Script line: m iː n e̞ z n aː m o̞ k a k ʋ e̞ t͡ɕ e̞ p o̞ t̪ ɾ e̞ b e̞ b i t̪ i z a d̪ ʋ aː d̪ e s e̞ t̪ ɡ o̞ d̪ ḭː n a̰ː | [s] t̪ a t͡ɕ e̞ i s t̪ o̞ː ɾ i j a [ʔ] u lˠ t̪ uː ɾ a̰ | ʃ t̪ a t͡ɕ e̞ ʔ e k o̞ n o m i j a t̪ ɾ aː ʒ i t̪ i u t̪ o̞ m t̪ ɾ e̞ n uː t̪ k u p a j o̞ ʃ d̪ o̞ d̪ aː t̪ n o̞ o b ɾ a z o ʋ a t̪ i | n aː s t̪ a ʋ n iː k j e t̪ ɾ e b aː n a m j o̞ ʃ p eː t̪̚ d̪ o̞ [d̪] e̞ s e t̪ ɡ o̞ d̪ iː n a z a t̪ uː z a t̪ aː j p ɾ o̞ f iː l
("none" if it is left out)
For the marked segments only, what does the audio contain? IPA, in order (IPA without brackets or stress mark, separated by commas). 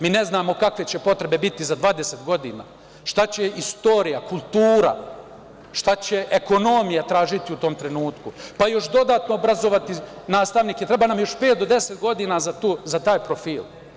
ʃ, k, d̪